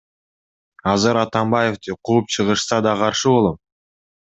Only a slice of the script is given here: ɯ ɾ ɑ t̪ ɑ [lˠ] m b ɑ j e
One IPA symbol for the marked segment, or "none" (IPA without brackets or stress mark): none